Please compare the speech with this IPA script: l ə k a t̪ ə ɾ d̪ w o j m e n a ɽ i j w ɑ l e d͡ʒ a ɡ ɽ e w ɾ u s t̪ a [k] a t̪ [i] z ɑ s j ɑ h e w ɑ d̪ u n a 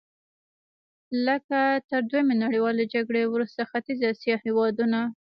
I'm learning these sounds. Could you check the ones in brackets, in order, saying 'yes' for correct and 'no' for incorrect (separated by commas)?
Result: no, yes